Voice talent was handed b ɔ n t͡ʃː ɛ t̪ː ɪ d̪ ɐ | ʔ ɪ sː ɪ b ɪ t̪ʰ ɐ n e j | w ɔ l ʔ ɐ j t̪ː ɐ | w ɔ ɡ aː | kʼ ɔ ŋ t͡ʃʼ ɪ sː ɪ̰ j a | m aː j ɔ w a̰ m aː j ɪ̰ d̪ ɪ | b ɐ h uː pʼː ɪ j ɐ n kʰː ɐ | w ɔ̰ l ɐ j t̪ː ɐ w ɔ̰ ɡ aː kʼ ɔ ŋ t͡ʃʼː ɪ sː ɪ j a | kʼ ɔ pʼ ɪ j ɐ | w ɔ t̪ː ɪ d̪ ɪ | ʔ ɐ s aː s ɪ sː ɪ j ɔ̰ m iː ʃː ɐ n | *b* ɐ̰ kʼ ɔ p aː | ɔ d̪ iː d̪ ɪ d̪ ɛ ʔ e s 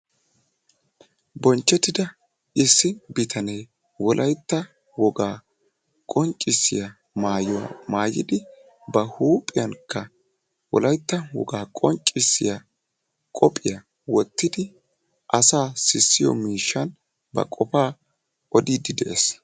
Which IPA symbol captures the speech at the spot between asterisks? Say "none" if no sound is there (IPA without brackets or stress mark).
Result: b